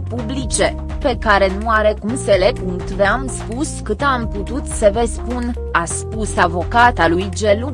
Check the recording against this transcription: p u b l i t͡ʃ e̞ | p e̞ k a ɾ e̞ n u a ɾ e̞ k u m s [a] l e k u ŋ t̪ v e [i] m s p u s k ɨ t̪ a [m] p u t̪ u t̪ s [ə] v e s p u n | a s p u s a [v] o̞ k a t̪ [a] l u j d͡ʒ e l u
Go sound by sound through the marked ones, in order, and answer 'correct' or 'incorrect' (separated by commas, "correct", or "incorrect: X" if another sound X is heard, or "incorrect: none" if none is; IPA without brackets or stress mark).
incorrect: e, incorrect: a, correct, correct, correct, correct